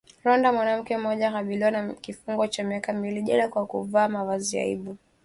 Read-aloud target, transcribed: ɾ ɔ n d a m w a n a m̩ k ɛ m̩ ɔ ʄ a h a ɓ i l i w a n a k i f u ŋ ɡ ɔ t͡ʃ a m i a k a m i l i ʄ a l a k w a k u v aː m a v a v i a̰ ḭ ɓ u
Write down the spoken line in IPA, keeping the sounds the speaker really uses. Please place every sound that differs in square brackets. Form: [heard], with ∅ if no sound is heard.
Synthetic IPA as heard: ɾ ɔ n d a m w a n a m̩ k ɛ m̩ ɔ ʄ a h a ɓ i l i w a n a k i f u ŋ ɡ ɔ t͡ʃ a m i a k a m i l i ʄ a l a k w a k u v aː m a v a [z] i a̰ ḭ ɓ u

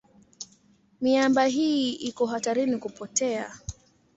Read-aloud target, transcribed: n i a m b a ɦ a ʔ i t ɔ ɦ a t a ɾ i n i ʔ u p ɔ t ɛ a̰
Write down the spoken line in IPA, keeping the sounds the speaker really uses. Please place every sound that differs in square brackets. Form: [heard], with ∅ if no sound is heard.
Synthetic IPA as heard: [m] i a m b a ɦ [i] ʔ i [k] ɔ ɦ a t a ɾ i n i [k] u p ɔ t ɛ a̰

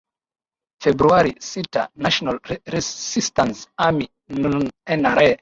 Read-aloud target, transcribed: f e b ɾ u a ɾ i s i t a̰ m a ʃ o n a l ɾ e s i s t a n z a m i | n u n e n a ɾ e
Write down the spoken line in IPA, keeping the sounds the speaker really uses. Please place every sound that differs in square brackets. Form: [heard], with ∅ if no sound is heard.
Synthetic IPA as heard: f e b ɾ u a ɾ i s i t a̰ [n] a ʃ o n a l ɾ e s i s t a n [s] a m i | n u n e n a ɾ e

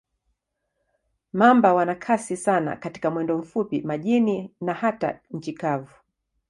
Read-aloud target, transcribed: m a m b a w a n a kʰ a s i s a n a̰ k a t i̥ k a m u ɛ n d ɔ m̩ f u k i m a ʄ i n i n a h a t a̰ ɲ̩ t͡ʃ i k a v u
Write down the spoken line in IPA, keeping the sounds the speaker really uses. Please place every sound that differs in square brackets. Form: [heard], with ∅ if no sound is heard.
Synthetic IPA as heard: m a m b a w a n a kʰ a s i s a n a̰ k a t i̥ k a m [w] ɛ n d ɔ m̩ f u [p] i m a ʄ i n i n a h a t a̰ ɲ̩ t͡ʃ i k a v u

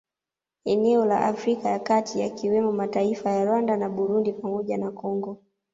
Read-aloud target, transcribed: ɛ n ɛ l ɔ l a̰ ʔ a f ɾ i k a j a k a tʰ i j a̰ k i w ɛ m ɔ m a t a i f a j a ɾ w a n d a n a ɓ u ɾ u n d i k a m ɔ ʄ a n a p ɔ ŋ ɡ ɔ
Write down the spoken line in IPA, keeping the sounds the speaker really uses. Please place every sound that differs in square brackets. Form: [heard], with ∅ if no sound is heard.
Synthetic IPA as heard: ɛ n ɛ [∅] ɔ l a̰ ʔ a f ɾ i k a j a k a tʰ i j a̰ k i w ɛ m ɔ m a t a i f a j a ɾ w a n d a n a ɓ u ɾ u n d i [p] a m ɔ ʄ a n a [k] ɔ ŋ ɡ ɔ

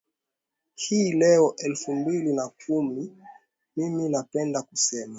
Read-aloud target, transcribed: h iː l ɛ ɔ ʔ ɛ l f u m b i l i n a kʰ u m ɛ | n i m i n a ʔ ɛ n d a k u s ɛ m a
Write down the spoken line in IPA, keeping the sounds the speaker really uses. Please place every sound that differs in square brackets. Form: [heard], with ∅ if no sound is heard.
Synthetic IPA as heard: h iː l ɛ ɔ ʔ ɛ l f u m b i l i n a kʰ u m [i] | [m] i m i n a [p] ɛ n d a k u s ɛ m a

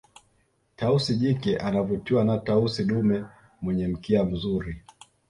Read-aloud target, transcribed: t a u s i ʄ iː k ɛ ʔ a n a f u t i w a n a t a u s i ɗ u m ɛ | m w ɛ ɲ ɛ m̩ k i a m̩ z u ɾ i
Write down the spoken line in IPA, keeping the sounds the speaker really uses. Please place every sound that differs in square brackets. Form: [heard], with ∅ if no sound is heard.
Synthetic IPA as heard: t a u s i ʄ [i] k ɛ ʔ a n a [v] u t i w a n a t a u s i ɗ u m ɛ | m w ɛ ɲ ɛ m̩ k i a m̩ z u ɾ i

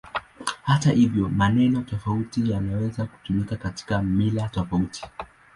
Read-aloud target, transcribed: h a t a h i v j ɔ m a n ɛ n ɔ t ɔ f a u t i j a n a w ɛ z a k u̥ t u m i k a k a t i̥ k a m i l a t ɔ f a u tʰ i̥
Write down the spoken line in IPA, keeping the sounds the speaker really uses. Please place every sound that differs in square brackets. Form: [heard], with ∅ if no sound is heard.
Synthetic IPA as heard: h a t a h i v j ɔ m a n ɛ n ɔ t ɔ f a u t i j a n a w ɛ z a k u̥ t u m i k a k a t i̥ k a m i l a t ɔ f a u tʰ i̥

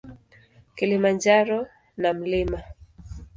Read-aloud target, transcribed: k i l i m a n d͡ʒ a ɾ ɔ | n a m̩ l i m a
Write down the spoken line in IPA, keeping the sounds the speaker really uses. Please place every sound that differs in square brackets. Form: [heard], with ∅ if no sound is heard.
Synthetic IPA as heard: k i l i m a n d͡ʒ a ɾ ɔ | n a m̩ l i m a

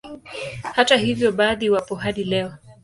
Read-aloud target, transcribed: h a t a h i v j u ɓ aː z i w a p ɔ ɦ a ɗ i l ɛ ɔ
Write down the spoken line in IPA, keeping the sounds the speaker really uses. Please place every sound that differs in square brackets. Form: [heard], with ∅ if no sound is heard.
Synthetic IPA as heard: h a t a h i v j [ɔ] ɓ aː [ð] i w a p ɔ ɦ a ɗ i l ɛ ɔ

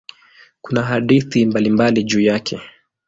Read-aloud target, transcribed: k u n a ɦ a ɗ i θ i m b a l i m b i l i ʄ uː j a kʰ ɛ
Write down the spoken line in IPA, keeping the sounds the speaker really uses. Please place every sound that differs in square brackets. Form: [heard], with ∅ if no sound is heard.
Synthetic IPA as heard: k u n a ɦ a ɗ i θ i m b a l i m b [a] l i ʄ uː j a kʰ ɛ

